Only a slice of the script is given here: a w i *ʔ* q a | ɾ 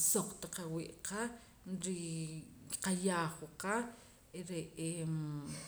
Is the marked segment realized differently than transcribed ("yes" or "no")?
no